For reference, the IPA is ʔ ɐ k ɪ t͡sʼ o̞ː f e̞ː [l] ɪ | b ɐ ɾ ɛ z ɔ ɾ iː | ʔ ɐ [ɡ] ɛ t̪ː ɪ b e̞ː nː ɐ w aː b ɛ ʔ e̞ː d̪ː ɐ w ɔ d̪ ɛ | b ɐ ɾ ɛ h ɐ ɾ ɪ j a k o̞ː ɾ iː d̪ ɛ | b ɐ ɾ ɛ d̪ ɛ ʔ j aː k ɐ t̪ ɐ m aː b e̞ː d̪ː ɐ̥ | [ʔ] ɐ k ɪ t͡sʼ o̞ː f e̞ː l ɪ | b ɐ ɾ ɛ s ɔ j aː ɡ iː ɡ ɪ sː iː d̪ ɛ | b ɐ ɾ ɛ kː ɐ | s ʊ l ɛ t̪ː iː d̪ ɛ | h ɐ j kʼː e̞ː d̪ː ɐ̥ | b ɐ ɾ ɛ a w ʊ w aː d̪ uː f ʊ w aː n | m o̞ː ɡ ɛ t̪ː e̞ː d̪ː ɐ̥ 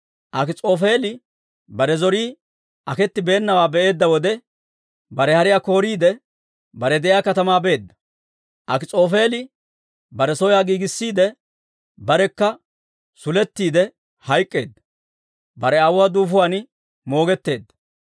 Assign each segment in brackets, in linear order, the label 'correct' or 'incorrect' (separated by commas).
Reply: correct, incorrect, correct